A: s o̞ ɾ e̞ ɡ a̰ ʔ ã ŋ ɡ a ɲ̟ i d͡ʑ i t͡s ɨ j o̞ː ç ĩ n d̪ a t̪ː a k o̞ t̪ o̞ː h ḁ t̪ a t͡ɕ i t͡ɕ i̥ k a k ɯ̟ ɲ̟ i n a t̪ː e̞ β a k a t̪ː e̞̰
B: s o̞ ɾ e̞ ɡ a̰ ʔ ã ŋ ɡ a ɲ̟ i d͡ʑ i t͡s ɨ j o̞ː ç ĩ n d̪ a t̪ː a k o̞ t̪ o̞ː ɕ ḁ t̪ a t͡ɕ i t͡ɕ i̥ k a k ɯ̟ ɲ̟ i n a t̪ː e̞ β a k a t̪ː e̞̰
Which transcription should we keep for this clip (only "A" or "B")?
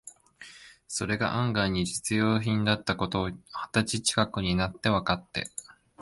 A